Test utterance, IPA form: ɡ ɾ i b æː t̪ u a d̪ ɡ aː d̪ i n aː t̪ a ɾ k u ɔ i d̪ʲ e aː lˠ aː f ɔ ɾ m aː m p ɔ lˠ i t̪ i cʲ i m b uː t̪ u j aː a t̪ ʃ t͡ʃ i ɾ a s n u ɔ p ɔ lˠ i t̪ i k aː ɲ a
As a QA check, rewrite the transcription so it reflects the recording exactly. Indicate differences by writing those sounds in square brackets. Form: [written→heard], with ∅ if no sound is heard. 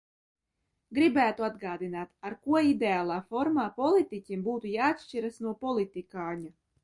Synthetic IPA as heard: ɡ ɾ i b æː t̪ u a d̪ ɡ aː d̪ i n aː t̪ a ɾ k u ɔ i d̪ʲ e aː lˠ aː f ɔ ɾ m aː [m→∅] p ɔ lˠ i t̪ i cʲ i m b uː t̪ u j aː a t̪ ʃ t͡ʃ i ɾ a s n u ɔ p ɔ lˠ i t̪ i k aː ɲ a

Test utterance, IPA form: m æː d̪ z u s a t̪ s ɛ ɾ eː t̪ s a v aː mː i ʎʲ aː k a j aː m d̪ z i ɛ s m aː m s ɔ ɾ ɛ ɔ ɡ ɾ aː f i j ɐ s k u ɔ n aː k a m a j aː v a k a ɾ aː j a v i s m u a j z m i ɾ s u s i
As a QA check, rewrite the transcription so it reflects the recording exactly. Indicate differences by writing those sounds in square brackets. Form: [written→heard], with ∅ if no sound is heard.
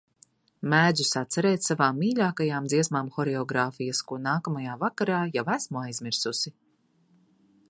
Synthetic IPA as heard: m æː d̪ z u s a t̪ s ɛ ɾ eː t̪ s a v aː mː [i→iː] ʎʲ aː k a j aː m d̪ z i ɛ s m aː m [s→x] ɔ ɾ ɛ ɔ ɡ ɾ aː f i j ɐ s k u ɔ n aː k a m a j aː v a k a ɾ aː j a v [i→æ] s m u a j z m i ɾ s u s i

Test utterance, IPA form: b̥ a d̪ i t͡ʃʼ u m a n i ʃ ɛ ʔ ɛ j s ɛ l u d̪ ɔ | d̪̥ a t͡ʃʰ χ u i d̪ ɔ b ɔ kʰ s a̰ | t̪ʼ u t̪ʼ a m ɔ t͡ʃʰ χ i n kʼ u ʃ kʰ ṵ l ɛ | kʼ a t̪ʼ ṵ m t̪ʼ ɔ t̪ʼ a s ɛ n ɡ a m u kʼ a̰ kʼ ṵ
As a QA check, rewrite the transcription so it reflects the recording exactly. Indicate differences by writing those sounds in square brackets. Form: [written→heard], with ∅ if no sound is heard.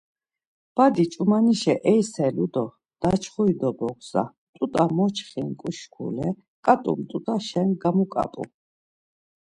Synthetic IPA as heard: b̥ a d̪ i t͡ʃʼ u m a n i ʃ ɛ ʔ ɛ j s ɛ l u d̪ ɔ | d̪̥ a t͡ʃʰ χ u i d̪ ɔ b ɔ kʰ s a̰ | t̪ʼ u t̪ʼ a m ɔ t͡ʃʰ χ i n kʼ u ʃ kʰ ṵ l ɛ | kʼ a t̪ʼ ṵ m t̪ʼ [ɔ→u] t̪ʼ a [s→ʃ] ɛ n ɡ a m u kʼ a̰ [kʼ→pʼ] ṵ

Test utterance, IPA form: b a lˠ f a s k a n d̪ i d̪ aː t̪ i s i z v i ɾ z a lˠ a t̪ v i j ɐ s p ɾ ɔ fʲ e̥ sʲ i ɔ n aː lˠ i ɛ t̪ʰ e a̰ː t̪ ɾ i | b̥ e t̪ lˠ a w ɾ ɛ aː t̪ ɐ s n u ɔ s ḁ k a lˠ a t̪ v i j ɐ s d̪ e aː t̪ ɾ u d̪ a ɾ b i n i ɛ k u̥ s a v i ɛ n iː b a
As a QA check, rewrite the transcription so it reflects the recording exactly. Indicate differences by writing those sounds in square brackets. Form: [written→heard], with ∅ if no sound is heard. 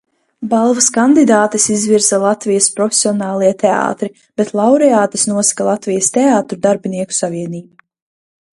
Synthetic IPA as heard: b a lˠ [f→v] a s k a n d̪ i d̪ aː t̪ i s i z v i ɾ z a lˠ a t̪ v i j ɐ s p ɾ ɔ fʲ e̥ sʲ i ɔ n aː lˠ i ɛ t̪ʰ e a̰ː t̪ ɾ i | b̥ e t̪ lˠ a w ɾ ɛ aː t̪ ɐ s n u ɔ s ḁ k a lˠ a t̪ v i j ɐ s [d̪→t̪] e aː t̪ ɾ u d̪ a ɾ b i n i ɛ k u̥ s a v i ɛ n iː b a

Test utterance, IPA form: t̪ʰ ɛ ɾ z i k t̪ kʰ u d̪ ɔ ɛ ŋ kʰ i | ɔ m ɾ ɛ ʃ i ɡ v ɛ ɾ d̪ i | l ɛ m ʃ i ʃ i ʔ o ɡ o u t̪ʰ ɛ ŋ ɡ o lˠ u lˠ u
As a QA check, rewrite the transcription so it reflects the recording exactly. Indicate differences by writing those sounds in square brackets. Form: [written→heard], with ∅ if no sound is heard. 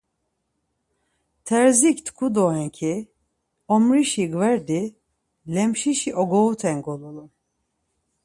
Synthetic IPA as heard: t̪ʰ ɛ ɾ z i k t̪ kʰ u d̪ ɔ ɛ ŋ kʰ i | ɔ m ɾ [ɛ→i] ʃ i ɡ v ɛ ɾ d̪ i | l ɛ m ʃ i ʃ i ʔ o ɡ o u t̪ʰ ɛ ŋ ɡ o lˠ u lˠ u

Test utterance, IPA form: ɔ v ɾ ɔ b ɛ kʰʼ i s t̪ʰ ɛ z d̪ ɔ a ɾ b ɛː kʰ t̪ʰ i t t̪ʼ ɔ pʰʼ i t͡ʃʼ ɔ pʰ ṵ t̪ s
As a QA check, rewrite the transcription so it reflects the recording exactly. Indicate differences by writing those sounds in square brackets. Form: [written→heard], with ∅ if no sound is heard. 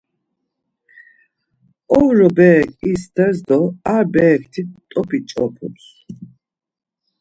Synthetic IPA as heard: ɔ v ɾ ɔ b ɛ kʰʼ i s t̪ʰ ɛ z d̪ ɔ a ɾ b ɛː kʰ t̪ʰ i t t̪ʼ ɔ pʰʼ i t͡ʃʼ ɔ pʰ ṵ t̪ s

